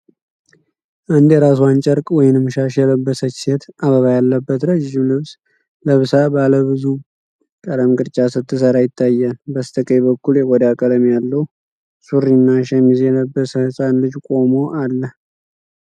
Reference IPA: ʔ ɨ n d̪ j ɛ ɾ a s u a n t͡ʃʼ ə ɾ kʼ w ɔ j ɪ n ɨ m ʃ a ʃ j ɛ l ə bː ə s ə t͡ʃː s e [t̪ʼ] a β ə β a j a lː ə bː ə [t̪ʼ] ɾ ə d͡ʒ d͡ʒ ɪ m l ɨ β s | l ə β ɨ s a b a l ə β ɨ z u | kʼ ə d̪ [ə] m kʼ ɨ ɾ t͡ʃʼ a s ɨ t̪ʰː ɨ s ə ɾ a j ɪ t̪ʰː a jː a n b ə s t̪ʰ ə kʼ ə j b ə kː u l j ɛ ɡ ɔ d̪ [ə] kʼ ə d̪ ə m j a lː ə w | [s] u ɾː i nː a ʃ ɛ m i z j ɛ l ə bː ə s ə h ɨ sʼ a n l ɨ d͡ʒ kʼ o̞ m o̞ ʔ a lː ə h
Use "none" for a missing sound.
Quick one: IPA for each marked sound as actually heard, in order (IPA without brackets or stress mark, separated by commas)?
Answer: t̪, t̪, ə, a, s